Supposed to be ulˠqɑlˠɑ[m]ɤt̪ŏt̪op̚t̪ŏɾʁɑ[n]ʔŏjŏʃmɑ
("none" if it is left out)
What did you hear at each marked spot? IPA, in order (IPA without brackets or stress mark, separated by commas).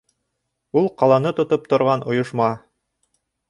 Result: n, n